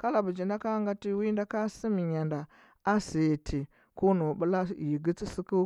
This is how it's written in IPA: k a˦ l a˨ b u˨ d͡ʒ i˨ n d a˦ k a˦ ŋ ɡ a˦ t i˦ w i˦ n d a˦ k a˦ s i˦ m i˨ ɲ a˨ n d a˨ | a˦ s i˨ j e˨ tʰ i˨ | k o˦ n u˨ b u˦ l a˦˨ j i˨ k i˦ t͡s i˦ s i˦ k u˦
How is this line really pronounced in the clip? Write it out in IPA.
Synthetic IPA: k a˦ l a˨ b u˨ d͡ʒ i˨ n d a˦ k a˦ ŋ ɡ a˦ t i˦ w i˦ n d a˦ k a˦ s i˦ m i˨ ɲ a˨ n d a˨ | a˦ s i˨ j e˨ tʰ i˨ | k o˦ n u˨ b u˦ l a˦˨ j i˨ ɡ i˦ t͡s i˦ s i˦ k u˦

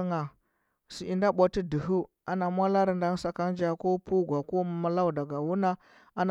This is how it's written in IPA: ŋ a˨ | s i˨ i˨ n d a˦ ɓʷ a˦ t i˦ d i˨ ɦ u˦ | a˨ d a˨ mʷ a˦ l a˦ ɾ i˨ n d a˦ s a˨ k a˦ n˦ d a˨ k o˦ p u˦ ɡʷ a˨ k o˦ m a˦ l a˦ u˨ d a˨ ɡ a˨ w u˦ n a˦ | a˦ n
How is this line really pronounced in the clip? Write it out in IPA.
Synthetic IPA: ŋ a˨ | s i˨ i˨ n d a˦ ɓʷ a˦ t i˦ d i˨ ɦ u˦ | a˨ n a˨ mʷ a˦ l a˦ ɾ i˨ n d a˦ s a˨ k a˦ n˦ d͡ʒ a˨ k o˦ p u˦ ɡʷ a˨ k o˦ m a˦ l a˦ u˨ d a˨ ɡ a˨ w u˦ n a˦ | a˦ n

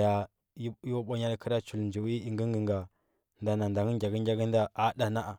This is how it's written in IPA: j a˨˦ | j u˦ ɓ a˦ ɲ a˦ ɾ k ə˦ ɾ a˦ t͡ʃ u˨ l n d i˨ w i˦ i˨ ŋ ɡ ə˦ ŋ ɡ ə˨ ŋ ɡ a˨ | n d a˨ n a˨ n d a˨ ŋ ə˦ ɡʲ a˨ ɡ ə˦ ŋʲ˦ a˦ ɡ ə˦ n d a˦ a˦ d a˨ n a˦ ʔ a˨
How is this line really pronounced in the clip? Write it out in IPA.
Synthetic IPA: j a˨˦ | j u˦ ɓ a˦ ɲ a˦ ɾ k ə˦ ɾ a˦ t͡ʃ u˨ l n d͡ʒ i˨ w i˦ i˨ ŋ ɡ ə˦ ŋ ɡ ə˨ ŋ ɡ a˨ | n d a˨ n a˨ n d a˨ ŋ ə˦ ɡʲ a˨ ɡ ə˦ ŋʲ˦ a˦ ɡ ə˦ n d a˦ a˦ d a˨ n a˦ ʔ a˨

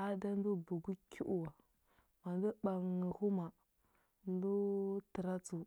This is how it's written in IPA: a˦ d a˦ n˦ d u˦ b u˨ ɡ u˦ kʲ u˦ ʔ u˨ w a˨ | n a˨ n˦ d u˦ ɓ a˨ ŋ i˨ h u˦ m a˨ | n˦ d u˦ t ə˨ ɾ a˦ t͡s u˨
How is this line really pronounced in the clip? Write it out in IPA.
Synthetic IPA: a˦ d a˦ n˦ d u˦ b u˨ ɡ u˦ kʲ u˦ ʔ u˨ w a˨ | m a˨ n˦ d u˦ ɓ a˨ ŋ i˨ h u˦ m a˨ | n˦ d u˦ t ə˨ ɾ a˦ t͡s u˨

